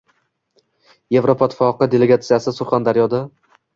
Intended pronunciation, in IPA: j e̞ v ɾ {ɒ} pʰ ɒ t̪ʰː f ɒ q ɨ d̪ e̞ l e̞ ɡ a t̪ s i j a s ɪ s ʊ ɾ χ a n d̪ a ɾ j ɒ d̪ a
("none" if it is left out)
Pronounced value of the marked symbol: o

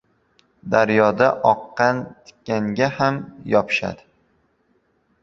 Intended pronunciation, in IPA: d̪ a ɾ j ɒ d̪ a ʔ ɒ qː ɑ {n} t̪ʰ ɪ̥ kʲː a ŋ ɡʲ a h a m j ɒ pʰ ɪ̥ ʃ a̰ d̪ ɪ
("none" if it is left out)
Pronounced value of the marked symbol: n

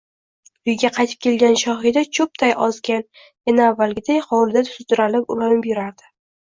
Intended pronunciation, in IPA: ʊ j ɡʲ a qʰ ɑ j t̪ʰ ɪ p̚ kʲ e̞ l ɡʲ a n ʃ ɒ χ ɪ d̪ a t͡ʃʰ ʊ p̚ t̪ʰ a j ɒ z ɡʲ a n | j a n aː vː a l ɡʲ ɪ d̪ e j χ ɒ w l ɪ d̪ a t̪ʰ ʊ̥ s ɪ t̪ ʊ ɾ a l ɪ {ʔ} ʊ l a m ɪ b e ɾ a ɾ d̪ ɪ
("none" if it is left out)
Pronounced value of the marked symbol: p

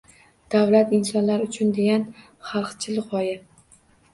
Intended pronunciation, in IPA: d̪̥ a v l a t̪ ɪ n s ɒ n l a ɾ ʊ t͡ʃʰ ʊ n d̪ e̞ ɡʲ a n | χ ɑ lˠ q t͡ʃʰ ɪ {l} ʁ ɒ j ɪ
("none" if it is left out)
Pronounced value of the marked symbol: l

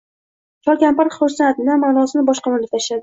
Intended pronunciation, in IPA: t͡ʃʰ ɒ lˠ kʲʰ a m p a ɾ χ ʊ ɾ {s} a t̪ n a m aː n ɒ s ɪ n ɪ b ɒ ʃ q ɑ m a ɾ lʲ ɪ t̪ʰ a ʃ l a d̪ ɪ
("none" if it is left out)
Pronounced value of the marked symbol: s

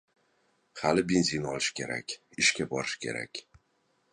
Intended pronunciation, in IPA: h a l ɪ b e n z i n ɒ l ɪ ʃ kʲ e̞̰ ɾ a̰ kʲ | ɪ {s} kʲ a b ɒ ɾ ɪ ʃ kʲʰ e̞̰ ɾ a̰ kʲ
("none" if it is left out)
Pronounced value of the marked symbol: ʃ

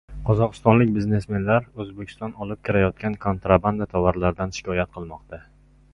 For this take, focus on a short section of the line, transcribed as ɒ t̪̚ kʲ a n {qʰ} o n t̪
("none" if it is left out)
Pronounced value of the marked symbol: kʰ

